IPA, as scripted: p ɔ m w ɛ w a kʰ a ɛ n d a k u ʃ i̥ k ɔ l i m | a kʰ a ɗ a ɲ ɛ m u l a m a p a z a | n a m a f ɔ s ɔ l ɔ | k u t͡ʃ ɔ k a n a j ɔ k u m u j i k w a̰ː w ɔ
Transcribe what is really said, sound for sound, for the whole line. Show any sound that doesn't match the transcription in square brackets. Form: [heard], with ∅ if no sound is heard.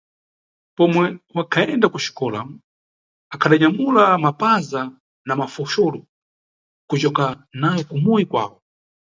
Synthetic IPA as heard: p ɔ m w ɛ w a kʰ a ɛ n d a k u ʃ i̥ k ɔ l [a] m | a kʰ a ɗ a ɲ [a] m u l a m a p a z a | n a m a f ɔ [ʃ] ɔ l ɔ | k u t͡ʃ ɔ k a n a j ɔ k u m u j i k w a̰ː w ɔ